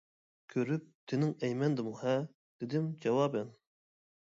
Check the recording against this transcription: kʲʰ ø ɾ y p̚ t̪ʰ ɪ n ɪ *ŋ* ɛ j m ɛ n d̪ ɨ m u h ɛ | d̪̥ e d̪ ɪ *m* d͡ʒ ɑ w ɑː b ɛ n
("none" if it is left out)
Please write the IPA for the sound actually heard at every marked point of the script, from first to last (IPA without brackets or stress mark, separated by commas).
ŋ, m